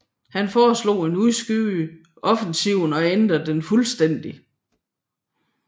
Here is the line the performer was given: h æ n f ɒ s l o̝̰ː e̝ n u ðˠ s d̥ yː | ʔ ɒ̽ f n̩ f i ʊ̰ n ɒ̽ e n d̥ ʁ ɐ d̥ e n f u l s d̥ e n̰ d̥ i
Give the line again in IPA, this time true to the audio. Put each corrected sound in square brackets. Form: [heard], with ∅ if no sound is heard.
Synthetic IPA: h æ n f [ɒː] s l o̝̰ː e̝ n u ðˠ s [ɡ̥] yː | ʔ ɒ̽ f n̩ [s] i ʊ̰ n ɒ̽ e n d̥ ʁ ɐ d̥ e n f u l s d̥ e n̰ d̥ i

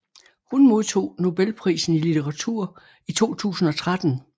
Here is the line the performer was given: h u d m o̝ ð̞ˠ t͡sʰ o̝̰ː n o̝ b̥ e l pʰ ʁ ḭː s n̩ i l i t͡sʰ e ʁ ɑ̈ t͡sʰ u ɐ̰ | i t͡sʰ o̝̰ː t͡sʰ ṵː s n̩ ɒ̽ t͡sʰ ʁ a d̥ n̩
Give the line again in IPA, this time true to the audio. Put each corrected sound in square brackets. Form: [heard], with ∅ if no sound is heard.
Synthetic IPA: h u [n] m o̝ ð̞ˠ t͡sʰ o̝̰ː n o̝ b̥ e l pʰ ʁ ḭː s n̩ i l i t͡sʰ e ʁ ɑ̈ t͡sʰ u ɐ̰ | i t͡sʰ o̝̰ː t͡sʰ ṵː s n̩ ɒ̽ t͡sʰ ʁ a d̥ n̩

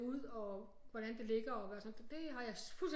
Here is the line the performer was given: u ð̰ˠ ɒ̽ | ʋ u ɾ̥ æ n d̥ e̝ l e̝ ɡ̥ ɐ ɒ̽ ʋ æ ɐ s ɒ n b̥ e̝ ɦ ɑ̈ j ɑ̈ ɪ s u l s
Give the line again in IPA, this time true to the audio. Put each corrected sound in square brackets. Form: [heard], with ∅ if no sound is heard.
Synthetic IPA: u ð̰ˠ ɒ̽ | ʋ [ɒ] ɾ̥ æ n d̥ e̝ l e̝ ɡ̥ ɐ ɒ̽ ʋ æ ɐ s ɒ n [d̥] e̝ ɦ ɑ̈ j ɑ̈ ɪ [f] u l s

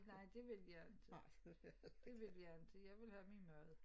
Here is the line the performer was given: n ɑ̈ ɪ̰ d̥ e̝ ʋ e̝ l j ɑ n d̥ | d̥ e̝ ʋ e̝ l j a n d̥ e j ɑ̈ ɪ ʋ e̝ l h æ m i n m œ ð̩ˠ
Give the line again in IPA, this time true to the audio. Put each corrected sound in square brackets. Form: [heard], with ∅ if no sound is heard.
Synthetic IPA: n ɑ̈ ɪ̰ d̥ e̝ ʋ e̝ l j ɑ n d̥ | d̥ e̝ ʋ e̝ l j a n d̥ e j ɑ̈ ɪ ʋ e̝ l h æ m i n m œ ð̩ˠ

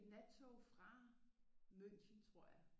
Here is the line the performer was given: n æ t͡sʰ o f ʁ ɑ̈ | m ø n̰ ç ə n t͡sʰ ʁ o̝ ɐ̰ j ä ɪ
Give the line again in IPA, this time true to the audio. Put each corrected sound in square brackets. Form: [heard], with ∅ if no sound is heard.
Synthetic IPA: n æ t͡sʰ o f ʁ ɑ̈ | m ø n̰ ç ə n t͡sʰ ʁ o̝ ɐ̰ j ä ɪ

